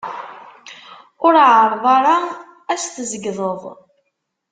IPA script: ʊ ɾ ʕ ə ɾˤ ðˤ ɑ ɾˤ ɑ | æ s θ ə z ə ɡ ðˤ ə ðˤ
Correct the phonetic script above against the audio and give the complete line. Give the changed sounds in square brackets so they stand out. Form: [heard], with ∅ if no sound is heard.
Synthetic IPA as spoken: ʊ ɾ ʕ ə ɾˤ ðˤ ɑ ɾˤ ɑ | æ s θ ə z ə ɡ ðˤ ə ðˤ